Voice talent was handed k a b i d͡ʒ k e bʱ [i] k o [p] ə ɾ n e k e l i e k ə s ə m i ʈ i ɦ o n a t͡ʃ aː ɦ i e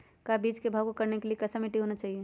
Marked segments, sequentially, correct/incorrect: incorrect: a, incorrect: k

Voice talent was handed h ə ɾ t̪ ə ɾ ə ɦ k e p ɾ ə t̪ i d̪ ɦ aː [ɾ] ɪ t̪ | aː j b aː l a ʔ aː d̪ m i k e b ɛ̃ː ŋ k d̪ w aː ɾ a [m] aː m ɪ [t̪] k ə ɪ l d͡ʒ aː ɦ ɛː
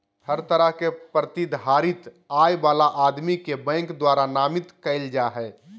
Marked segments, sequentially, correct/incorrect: correct, incorrect: n, correct

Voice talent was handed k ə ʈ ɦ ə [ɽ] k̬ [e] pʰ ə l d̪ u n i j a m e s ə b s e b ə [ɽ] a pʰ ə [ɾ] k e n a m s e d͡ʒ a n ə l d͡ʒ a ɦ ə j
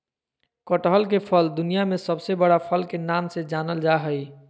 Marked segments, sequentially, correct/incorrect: incorrect: l, correct, correct, incorrect: l

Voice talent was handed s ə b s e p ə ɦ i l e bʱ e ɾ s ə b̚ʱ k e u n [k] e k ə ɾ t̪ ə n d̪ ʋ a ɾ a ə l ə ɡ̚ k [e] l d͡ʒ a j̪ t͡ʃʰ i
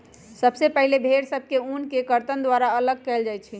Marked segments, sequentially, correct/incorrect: correct, incorrect: ɛ

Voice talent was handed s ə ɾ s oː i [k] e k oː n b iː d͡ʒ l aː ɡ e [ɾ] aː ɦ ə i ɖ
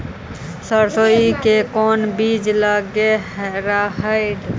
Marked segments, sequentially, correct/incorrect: correct, correct

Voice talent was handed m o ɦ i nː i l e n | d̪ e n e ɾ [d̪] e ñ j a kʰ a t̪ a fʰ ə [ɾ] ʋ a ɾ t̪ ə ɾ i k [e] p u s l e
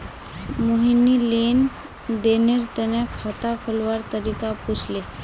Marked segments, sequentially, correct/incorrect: incorrect: t̪, incorrect: l, incorrect: a

